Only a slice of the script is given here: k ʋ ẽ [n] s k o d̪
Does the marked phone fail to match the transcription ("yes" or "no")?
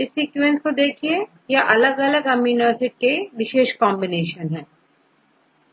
no